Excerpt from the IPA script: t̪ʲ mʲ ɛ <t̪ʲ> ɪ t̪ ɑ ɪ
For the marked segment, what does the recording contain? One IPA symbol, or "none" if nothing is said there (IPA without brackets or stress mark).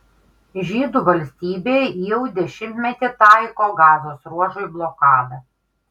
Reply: t̪ʲ